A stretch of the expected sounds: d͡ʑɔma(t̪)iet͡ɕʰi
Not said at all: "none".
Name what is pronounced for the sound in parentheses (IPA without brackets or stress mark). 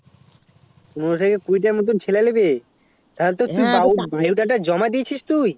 d̪